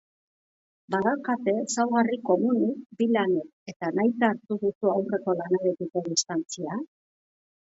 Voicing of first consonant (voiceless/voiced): voiced